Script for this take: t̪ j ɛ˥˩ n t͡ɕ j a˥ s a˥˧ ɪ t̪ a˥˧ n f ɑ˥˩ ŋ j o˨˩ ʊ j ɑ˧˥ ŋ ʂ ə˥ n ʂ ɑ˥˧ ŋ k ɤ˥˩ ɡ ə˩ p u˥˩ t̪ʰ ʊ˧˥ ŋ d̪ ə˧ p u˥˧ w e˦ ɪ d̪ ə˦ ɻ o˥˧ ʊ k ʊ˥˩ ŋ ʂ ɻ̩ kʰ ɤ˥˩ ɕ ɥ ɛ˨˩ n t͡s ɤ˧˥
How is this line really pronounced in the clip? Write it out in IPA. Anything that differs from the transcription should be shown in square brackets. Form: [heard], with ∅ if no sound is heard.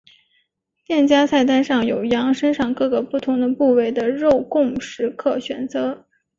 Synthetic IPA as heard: t̪ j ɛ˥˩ n t͡ɕ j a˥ s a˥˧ ɪ t̪ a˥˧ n [ʂ] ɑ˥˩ ŋ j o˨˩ ʊ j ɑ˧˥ ŋ ʂ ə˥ n ʂ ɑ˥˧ ŋ k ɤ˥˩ ɡ ə˩ p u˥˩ t̪ʰ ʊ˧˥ ŋ d̪ ə˧ p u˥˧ w [e˥˩] ɪ d̪ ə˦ ɻ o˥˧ ʊ k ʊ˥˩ ŋ ʂ ɻ̩ kʰ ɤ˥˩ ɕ ɥ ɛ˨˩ n t͡s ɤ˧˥